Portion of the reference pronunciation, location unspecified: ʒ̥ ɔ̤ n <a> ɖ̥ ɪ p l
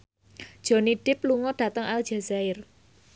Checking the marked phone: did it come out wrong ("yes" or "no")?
yes